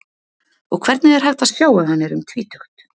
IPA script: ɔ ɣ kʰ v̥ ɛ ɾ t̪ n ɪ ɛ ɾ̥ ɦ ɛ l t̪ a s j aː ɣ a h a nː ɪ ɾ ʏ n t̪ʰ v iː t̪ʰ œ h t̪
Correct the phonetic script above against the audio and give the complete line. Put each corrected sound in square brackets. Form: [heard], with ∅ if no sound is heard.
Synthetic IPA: ɔ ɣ kʰ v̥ ɛ ɾ t̪ n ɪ ɛ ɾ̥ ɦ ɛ l t̪ a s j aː [w] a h a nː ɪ ɾ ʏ [m] t̪ʰ v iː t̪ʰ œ [x] t̪